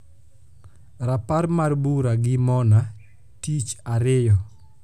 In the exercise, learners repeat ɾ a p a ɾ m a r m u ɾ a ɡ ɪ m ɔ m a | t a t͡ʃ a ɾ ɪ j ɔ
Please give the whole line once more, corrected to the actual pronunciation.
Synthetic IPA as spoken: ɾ a p a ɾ m a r b u ɾ a ɡ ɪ m ɔ n a | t i t͡ʃ a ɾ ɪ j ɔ